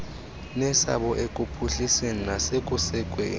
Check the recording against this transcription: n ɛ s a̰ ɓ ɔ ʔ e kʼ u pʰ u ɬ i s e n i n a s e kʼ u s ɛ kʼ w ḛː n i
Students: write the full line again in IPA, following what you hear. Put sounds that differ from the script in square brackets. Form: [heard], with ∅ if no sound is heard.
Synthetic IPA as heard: n ɛ s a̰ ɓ ɔ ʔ e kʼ u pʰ u ɬ i s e n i n a s e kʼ u s ɛ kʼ w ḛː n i